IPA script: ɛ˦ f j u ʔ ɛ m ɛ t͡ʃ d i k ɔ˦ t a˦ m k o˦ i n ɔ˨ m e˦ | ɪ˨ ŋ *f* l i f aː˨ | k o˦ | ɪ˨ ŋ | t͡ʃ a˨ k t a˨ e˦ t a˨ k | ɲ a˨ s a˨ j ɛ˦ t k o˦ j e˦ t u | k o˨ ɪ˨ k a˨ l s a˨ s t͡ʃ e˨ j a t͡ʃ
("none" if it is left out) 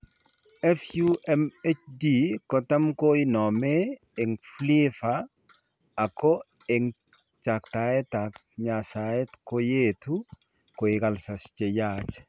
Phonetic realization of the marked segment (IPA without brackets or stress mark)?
f